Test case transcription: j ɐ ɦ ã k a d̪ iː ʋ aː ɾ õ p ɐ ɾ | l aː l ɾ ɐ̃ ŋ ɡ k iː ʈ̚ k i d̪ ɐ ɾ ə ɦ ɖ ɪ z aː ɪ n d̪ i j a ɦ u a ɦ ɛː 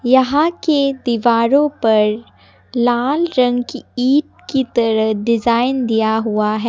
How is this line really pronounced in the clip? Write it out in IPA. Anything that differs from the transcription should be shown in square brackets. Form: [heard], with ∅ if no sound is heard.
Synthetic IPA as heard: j ɐ ɦ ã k [e] d̪ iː ʋ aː ɾ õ p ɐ ɾ | l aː l ɾ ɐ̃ ŋ ɡ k iː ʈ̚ k i [t̪] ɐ ɾ ə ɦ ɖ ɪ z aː ɪ n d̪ i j a ɦ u a ɦ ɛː